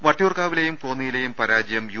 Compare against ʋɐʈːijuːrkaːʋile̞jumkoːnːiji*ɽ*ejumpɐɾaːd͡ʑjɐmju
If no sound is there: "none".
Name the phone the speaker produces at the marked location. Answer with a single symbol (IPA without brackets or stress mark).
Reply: l